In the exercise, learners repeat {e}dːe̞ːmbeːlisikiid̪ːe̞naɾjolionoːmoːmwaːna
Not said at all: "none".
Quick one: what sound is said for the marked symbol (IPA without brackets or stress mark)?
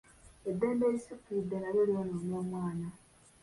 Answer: e